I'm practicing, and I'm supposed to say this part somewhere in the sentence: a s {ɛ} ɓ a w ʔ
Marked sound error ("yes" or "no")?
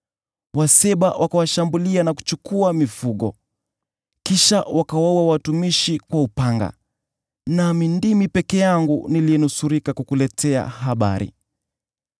no